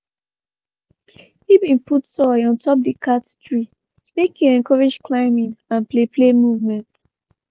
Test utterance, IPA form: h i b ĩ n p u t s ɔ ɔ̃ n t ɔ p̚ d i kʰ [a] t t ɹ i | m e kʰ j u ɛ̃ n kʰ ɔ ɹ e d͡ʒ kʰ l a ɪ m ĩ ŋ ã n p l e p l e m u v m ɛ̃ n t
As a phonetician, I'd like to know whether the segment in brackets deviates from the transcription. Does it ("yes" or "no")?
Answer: no